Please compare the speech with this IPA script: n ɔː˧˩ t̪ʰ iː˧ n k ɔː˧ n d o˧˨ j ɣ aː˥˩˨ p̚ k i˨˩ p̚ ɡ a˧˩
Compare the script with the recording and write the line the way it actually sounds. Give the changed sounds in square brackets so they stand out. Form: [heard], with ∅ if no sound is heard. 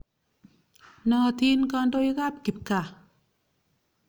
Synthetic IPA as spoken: n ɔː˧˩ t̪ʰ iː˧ n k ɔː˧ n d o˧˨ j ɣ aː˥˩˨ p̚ k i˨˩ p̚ [k] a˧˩